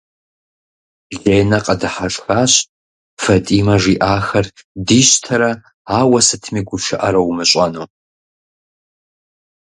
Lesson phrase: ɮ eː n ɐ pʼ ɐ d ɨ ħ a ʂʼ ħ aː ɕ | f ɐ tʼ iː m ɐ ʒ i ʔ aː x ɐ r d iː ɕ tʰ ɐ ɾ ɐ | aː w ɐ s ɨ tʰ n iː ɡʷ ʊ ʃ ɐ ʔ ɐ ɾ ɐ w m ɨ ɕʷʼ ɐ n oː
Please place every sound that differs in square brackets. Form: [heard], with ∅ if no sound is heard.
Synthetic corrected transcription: ɮ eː n ɐ [qʼ] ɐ d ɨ ħ a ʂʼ [x] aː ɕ | f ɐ tʼ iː m ɐ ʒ i ʔ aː x ɐ r d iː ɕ tʰ ɐ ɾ ɐ | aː w ɐ s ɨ tʰ [m] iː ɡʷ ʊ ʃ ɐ ʔ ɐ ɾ ɐ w m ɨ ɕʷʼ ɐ n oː